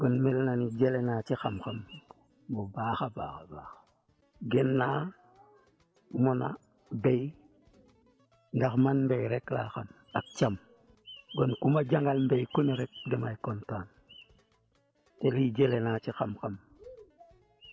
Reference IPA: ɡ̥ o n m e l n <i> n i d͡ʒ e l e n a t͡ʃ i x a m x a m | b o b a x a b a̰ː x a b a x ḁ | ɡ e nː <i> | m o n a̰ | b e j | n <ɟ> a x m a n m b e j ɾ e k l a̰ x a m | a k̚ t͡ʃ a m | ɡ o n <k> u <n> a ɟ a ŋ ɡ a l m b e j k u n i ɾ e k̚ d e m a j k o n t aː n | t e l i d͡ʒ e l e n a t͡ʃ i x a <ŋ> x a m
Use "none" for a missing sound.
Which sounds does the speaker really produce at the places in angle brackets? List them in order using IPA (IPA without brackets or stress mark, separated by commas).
a, a, d, k, m, m